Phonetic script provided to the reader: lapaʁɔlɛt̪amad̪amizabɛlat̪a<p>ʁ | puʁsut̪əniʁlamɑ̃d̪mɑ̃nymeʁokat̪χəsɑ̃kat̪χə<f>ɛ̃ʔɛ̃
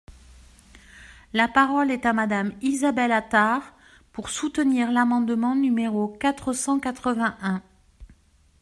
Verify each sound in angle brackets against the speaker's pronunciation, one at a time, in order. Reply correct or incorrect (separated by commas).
incorrect, incorrect